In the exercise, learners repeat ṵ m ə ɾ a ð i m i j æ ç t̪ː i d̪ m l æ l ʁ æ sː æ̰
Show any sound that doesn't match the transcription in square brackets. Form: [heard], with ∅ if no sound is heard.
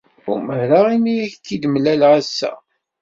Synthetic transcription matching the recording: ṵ m ə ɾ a [ʁ] i m i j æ ç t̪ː i d̪ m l æ l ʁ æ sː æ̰